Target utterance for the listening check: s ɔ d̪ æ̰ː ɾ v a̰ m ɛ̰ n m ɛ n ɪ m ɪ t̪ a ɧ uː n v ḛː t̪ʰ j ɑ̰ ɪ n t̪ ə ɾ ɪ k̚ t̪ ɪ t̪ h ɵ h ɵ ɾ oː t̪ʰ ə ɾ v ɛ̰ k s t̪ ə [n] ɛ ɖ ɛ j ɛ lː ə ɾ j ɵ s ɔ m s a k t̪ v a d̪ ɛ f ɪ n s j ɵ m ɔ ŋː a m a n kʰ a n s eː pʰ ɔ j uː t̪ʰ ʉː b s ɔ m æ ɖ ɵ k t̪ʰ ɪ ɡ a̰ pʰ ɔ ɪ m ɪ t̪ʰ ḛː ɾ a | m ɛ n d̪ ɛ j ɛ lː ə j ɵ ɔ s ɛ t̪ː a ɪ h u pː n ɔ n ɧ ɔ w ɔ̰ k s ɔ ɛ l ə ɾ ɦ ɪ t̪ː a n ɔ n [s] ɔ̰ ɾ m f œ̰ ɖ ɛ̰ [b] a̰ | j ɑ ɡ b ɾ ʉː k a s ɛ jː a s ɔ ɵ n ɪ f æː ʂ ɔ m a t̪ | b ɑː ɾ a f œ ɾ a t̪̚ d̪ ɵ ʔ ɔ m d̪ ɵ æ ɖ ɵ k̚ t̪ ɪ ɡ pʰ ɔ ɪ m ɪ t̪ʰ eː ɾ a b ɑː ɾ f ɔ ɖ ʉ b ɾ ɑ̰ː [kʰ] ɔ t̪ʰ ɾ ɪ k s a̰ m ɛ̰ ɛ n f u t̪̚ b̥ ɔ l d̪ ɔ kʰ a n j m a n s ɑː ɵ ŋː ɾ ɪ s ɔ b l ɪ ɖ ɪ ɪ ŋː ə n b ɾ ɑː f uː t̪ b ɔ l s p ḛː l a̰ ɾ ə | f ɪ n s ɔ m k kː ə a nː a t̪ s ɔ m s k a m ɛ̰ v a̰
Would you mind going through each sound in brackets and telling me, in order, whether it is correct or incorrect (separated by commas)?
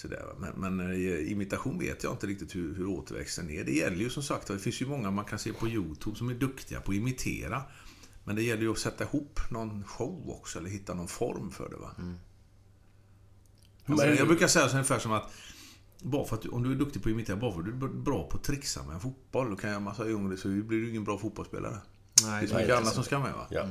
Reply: correct, incorrect, incorrect, incorrect